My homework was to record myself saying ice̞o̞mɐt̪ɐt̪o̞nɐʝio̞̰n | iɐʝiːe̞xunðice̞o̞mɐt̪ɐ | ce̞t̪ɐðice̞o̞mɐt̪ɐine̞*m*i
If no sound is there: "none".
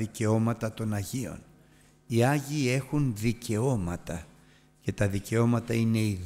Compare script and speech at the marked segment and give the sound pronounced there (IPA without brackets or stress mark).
none